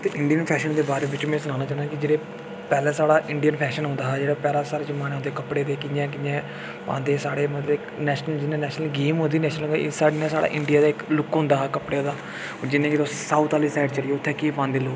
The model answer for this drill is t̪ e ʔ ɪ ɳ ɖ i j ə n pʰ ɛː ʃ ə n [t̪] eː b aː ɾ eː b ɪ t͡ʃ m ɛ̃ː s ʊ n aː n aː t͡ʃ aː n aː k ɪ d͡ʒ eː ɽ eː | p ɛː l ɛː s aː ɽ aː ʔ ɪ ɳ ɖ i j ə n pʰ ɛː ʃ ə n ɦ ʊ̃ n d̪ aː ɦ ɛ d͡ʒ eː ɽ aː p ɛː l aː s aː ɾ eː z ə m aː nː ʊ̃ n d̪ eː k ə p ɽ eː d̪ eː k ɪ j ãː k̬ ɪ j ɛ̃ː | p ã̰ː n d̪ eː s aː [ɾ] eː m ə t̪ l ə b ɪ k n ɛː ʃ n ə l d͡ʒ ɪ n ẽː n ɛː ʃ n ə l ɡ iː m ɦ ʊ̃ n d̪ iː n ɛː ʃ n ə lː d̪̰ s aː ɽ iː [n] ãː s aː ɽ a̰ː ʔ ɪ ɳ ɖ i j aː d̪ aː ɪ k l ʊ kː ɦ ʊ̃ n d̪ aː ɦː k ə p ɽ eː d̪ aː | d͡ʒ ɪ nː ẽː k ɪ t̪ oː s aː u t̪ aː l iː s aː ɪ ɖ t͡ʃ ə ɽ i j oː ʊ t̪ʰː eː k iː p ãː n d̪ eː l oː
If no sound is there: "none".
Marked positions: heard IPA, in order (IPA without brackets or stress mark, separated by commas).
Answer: d̪, ɽ, n